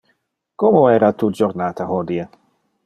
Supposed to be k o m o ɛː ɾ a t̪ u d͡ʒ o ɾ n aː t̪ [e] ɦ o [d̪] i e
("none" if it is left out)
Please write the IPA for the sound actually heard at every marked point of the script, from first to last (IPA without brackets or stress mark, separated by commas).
a, d̪